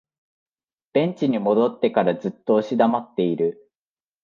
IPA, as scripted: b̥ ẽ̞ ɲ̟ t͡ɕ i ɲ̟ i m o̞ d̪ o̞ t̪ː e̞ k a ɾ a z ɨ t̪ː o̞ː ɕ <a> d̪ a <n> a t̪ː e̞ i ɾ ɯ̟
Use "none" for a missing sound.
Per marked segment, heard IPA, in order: i, m

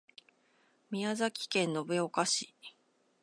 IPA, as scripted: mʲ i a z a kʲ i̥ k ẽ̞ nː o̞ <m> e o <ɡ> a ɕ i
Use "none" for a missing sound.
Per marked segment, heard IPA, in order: b, k

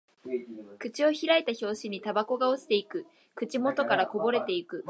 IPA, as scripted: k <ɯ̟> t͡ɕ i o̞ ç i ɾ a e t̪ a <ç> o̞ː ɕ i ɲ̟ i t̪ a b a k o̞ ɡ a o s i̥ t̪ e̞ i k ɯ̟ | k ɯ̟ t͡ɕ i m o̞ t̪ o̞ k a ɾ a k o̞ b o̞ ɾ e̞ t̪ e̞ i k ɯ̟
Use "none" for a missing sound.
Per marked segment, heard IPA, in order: ɯ̟, ç

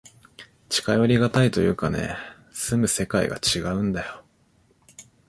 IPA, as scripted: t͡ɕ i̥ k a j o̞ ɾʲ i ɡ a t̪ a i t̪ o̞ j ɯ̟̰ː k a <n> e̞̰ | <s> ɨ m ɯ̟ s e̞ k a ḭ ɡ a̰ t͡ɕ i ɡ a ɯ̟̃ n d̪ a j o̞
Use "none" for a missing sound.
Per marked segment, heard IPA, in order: n, s

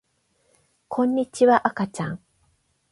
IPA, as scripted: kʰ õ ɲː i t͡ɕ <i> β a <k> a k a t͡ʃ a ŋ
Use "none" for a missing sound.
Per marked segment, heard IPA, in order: i, ʔ

